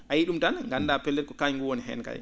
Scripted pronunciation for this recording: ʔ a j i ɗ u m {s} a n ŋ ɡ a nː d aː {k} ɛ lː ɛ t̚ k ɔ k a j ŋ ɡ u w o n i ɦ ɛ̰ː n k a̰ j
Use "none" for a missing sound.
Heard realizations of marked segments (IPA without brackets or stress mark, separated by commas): t, p